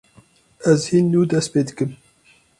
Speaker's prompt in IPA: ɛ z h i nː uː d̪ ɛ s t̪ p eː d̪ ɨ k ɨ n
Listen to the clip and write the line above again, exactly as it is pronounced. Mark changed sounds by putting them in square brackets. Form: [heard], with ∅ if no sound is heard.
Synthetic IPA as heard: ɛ z h i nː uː d̪ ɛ s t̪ p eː d̪ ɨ k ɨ [m]